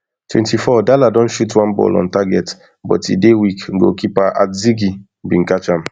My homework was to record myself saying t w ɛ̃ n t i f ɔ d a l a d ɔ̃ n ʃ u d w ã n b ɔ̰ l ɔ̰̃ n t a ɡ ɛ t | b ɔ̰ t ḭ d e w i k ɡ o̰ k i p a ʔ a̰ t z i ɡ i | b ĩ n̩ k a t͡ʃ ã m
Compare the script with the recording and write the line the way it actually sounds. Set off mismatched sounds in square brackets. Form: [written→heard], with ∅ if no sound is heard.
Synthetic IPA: t w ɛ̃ n t i f ɔ d a l a d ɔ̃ n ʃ u [d→t] w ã n b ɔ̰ l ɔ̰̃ n t a ɡ ɛ t | b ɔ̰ t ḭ d e w i k ɡ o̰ k i p a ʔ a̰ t z i ɡ i | b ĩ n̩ k a t͡ʃ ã m